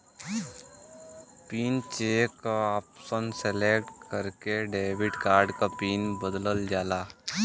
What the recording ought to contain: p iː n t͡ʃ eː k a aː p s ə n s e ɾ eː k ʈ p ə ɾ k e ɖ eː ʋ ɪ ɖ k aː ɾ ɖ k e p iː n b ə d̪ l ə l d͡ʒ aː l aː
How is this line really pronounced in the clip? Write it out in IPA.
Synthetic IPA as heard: p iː n t͡ʃ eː k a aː p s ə n s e l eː k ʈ k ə ɾ k e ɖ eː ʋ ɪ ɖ k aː ɾ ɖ k a p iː n b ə d̪ l ə l d͡ʒ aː l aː